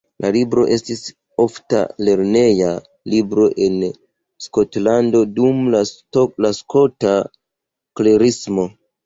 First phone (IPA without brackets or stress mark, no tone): l